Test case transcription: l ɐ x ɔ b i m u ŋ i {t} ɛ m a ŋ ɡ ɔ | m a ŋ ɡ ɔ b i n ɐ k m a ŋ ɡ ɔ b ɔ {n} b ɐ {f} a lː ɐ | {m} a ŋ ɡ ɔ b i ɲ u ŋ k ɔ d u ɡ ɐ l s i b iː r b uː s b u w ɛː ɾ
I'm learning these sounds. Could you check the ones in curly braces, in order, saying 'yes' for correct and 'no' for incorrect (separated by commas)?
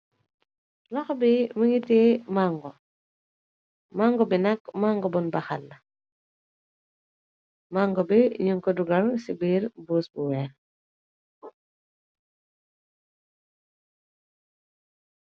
yes, yes, no, yes